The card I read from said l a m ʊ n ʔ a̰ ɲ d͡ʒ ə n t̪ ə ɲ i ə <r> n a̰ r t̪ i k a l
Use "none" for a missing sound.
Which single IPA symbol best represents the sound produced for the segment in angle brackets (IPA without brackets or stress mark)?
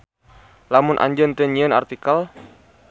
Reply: none